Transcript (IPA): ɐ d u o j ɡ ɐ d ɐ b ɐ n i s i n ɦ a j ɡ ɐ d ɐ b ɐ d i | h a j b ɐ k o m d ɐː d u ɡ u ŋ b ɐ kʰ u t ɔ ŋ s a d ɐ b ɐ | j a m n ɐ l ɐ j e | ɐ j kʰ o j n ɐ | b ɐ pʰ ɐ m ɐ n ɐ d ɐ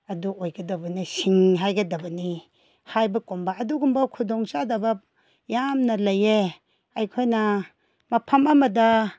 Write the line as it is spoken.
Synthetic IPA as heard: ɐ d u o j ɡ ɐ d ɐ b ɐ n i s i ŋ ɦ a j ɡ ɐ d ɐ b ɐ n i | h a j b ɐ k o m b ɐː d u ɡ u m b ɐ kʰ u d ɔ ŋ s a d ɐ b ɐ | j a m n ɐ l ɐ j e | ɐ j kʰ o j n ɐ | m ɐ pʰ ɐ m ɐ m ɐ d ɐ